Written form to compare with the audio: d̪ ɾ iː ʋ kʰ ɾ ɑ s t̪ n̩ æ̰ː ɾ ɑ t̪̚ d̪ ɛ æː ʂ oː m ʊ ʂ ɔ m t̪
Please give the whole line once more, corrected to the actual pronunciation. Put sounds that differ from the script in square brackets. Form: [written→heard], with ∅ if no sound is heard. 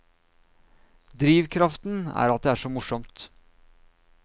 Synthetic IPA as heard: d̪ ɾ iː ʋ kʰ ɾ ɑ [s→f] t̪ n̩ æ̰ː ɾ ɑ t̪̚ d̪ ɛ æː ʂ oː m ʊ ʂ ɔ m t̪

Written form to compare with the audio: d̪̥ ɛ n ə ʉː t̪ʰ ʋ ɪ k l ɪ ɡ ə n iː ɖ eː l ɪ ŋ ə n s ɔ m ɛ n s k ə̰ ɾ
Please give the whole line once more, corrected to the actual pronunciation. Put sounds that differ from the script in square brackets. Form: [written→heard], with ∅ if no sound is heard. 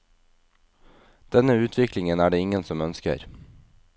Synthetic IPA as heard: d̪̥ ɛ n ə ʉː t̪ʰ ʋ ɪ k l ɪ [ɡ→ŋ] ə n [iː→æː] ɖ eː [l→∅] ɪ ŋ ə n s ɔ m [ɛ→œ] n s k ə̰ ɾ

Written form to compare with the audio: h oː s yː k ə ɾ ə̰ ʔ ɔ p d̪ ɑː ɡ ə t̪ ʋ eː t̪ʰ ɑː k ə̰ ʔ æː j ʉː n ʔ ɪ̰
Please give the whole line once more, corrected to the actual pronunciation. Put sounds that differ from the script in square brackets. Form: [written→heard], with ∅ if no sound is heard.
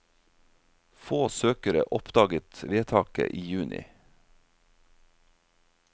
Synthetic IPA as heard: [h→f] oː s [yː→øː] k ə ɾ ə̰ ʔ ɔ p d̪ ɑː ɡ ə t̪ ʋ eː t̪ʰ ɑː k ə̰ ʔ [æː→iː] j ʉː n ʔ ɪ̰

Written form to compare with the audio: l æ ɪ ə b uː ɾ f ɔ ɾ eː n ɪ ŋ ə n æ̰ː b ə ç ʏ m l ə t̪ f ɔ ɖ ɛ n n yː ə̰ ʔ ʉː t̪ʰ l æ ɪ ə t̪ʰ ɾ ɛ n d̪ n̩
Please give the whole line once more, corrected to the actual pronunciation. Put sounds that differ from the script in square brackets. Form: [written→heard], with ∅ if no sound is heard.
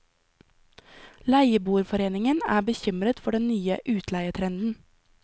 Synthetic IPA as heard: l æ ɪ ə b uː ɾ f ɔ ɾ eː n ɪ ŋ ə n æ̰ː b ə ç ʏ m [l→ɾ] ə t̪ f ɔ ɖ ɛ n n yː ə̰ ʔ ʉː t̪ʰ l æ ɪ ə t̪ʰ ɾ ɛ n d̪ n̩

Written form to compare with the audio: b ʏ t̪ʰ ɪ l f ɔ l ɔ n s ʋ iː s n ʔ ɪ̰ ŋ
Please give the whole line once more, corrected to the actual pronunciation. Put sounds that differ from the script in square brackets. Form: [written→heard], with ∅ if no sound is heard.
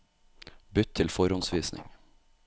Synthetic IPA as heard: b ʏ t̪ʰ ɪ l f ɔ [l→ɾ] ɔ n s ʋ iː s n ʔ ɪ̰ ŋ

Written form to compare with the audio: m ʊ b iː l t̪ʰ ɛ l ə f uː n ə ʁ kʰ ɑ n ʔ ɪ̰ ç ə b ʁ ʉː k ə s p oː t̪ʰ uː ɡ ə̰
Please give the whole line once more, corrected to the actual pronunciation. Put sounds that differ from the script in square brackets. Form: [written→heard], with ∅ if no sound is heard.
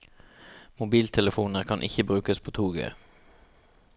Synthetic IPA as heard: m ʊ b iː l t̪ʰ ɛ l ə f uː n ə ʁ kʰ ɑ n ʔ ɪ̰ ç ə b ʁ ʉː k ə s [p→pʰ] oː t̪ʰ uː ɡ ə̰

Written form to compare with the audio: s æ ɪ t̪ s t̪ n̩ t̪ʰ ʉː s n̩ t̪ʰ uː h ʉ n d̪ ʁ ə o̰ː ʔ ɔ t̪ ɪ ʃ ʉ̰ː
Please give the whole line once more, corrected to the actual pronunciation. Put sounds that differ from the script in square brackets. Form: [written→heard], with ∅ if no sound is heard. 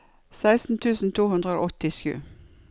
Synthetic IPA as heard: s æ ɪ [t̪→∅] s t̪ n̩ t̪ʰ ʉː s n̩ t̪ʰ uː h ʉ n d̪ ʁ ə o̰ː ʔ ɔ t̪ ɪ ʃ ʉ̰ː

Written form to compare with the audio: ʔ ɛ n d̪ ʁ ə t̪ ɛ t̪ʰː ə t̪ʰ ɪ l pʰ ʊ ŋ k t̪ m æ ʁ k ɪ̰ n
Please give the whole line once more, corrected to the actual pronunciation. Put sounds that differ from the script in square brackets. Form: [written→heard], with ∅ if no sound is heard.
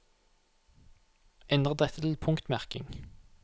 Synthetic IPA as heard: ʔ ɛ n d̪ ʁ ə [t̪→d̪] ɛ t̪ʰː ə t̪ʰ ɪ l pʰ ʊ ŋ k t̪ m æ ʁ k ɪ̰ [n→ŋ]

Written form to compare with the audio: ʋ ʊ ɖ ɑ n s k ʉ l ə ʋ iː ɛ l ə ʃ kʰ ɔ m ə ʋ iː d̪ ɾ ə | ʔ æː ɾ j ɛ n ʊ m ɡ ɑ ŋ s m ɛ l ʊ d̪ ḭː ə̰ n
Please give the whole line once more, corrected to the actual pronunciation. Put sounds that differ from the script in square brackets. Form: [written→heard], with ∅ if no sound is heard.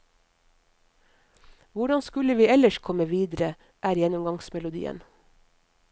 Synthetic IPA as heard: ʋ ʊ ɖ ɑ n s k ʉ l ə ʋ iː ɛ l ə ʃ kʰ ɔ m ə ʋ iː d̪ ɾ ə | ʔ æː ɾ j ɛ n ʊ m ɡ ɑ ŋ s m ɛ l ʊ d̪ ḭː ə̰ n

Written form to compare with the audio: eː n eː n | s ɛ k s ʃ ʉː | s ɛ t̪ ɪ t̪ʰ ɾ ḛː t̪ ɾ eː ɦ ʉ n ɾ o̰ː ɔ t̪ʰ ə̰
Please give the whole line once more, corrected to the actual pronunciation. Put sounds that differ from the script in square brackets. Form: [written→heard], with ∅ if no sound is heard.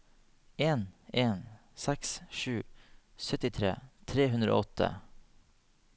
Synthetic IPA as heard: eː n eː n | s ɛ k s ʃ ʉː | s [ɛ→œ] t̪ ɪ t̪ʰ ɾ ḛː [t̪→t̪ʰ] ɾ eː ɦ ʉ n ɾ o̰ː ɔ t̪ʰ ə̰

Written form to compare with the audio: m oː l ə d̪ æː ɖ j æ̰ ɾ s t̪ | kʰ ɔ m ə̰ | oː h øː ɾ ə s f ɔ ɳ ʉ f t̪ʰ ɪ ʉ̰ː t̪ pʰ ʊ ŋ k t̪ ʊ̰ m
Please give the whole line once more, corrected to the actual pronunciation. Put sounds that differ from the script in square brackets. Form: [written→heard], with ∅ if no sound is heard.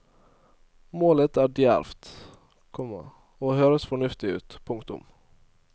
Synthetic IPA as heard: m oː l ə [d̪→t̪] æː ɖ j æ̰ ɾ [s→f] t̪ | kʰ ɔ m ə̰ | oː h øː ɾ ə s f ɔ ɳ ʉ f [t̪ʰ→t̪] ɪ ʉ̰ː t̪ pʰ ʊ ŋ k t̪ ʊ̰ m

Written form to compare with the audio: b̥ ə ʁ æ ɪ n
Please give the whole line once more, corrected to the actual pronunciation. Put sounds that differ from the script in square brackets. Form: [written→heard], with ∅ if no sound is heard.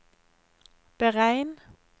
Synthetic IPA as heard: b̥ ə ʁ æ ɪ n

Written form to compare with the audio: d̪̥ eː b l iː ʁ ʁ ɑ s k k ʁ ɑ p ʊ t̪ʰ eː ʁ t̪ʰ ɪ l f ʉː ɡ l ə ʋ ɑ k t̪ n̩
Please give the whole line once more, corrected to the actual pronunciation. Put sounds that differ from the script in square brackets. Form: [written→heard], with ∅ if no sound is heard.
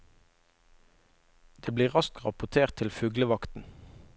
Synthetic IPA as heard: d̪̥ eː b l iː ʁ ʁ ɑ s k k ʁ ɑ p ʊ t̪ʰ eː ʁ t̪ʰ ɪ l f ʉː ɡ l ə ʋ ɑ k t̪ n̩

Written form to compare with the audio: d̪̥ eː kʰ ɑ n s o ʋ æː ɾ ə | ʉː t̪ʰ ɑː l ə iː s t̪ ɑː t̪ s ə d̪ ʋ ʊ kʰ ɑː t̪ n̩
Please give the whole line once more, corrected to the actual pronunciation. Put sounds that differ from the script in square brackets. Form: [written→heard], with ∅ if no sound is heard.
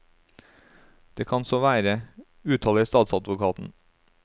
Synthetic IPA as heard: d̪̥ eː kʰ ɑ n s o ʋ æː ɾ ə | ʉː t̪ʰ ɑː l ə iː s t̪ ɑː t̪ s [ə→ɑ] d̪ ʋ ʊ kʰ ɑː t̪ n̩

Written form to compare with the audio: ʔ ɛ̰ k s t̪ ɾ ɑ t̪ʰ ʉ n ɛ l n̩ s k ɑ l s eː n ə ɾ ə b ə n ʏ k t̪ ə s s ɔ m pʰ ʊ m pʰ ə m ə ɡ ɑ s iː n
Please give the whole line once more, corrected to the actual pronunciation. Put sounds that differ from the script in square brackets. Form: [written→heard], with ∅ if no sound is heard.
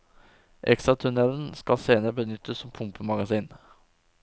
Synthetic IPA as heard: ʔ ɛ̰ k s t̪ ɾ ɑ t̪ʰ ʉ n ɛ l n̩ s k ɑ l s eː n ə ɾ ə b ə n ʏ [k→∅] t̪ ə s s ɔ m pʰ ʊ m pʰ ə m [ə→ɑ] ɡ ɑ s iː n

